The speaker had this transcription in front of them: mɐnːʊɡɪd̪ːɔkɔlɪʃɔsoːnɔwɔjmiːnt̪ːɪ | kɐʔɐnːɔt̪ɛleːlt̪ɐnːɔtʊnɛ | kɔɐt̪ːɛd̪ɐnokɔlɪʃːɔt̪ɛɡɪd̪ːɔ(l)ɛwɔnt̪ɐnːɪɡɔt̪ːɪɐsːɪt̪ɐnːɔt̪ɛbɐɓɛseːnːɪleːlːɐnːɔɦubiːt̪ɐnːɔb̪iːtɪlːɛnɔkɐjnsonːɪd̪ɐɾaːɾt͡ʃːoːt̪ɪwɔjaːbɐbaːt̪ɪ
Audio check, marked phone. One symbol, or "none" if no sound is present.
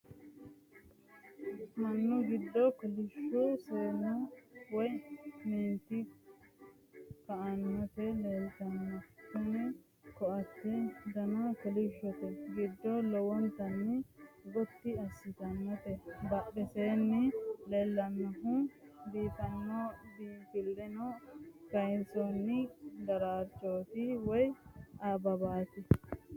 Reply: l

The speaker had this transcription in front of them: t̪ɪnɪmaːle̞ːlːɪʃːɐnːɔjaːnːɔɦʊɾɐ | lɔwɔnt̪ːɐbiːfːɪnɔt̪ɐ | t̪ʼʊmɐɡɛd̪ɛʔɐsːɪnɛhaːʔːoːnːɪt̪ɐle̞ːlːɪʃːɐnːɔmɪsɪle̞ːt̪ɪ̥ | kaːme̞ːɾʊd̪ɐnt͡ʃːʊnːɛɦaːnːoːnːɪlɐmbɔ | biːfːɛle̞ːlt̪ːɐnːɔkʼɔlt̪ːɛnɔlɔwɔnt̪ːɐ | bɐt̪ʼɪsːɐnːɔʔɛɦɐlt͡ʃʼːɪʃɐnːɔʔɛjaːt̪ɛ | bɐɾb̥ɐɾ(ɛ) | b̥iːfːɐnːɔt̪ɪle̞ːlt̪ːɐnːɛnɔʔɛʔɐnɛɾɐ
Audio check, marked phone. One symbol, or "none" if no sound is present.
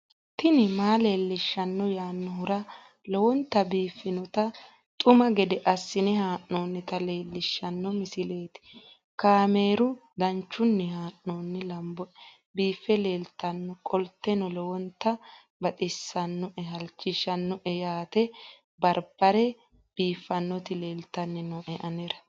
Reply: ɛ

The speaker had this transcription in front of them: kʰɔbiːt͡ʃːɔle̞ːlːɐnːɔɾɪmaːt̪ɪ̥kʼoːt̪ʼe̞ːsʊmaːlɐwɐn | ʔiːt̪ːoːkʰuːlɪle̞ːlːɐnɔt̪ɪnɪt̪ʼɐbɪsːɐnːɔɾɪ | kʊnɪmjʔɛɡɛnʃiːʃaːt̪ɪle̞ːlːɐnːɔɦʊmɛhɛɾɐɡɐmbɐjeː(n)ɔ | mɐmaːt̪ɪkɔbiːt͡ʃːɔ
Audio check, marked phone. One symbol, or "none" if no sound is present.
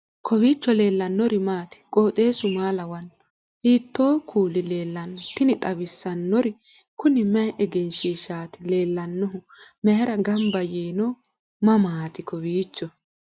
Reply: n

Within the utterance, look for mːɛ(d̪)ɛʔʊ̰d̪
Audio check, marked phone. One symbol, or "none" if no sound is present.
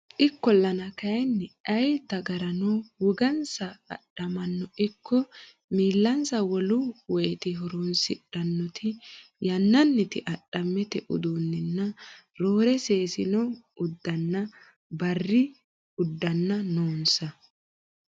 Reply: t̪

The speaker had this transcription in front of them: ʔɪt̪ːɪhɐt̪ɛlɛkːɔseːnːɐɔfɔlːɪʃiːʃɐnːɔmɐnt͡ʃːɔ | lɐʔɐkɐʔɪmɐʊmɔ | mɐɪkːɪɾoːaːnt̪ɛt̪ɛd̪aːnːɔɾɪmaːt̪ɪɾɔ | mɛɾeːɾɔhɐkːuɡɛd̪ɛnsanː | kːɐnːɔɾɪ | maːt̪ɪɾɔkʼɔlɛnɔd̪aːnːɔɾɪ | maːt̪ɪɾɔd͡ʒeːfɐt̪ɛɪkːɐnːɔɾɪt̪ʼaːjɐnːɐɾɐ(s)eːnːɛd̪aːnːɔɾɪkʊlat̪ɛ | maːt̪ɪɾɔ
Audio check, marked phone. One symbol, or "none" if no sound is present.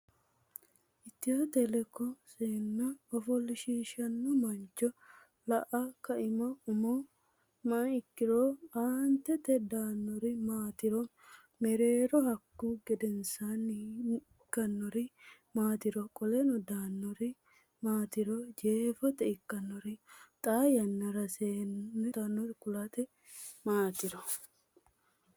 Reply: s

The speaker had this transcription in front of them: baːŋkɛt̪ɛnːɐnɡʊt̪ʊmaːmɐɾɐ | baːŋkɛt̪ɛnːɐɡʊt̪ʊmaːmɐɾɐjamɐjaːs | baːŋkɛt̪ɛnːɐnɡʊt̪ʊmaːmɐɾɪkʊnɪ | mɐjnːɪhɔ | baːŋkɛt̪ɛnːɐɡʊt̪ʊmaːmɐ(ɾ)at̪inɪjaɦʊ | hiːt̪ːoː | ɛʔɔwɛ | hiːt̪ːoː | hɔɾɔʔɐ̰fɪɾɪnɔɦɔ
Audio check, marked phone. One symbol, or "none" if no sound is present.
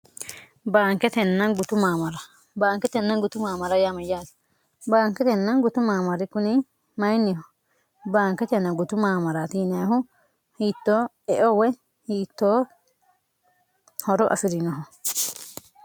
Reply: ɾ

